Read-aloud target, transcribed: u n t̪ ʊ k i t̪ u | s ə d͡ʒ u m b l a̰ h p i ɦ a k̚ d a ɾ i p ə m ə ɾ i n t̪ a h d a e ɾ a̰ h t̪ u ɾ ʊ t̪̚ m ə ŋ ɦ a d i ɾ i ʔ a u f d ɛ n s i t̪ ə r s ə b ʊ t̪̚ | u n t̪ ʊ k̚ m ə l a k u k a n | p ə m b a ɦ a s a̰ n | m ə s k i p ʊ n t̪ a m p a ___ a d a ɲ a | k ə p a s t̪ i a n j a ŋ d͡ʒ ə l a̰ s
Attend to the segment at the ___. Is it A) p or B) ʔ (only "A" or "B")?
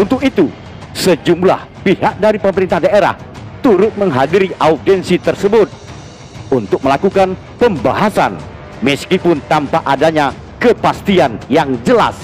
B